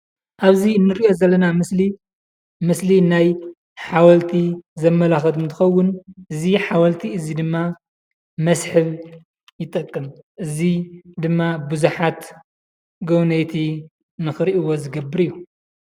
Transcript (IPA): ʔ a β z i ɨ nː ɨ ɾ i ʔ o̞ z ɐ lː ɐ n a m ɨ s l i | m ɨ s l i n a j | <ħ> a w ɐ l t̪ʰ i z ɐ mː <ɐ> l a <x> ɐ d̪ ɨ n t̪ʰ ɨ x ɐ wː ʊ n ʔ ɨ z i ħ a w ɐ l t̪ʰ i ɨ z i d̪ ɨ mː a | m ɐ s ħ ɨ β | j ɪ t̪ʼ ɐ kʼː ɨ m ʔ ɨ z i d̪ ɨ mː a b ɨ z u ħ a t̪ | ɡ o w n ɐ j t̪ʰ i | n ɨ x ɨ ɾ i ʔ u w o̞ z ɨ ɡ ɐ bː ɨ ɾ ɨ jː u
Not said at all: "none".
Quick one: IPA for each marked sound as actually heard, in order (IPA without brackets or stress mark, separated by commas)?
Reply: ħ, ɐ, x